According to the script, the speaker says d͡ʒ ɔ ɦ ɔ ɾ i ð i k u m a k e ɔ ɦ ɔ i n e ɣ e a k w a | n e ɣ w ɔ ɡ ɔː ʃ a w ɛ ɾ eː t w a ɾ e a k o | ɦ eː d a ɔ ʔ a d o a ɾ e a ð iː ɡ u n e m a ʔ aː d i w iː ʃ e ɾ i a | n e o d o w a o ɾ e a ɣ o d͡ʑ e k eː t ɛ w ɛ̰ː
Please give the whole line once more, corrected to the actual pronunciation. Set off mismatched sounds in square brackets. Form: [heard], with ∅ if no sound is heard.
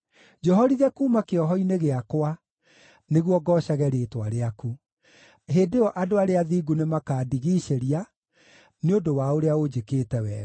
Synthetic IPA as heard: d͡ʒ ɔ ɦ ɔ ɾ i ð [ɛ] k u m a k e ɔ ɦ ɔ i n e ɣ e a k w a | n e ɣ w ɔ ɡ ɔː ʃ a [ɣ] ɛ ɾ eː t w a ɾ e a k [u] | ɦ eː d [e] ɔ ʔ a d o a ɾ e a ð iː ɡ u n e m a [k] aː d i [ɣ] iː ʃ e ɾ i a | n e o d o w a o ɾ e a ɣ o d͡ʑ e k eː t ɛ w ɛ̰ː